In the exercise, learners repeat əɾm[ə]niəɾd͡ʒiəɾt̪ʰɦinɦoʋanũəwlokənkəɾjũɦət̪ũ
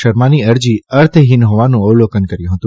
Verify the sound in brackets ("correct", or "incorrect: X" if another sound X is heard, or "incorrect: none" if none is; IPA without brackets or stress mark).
incorrect: a